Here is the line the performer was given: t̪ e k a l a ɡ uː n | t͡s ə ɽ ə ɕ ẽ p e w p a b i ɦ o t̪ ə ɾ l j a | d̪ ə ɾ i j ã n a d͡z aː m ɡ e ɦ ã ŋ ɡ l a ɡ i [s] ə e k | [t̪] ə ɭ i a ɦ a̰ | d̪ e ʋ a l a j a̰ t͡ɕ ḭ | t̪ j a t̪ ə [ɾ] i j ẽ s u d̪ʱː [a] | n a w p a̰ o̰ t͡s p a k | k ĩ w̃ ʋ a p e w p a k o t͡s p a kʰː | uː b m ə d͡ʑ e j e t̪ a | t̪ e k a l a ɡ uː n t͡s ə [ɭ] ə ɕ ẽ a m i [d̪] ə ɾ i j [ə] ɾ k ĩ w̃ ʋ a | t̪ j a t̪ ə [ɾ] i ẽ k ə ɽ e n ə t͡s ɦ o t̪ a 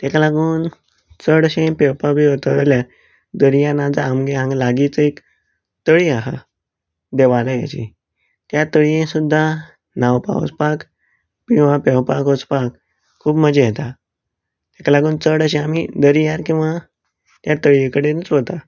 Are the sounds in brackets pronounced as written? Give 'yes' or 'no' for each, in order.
no, yes, no, yes, no, yes, no, no

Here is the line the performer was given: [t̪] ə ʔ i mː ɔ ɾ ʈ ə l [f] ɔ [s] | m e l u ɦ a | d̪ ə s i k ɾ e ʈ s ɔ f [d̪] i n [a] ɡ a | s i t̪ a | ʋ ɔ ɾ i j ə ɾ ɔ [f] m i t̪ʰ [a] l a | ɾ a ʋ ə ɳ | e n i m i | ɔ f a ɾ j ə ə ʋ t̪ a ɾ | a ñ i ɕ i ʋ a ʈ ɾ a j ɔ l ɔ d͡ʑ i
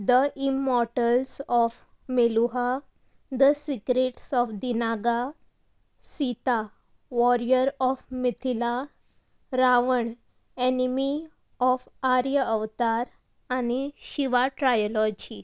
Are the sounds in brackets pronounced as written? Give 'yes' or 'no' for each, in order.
no, no, no, yes, yes, yes, no

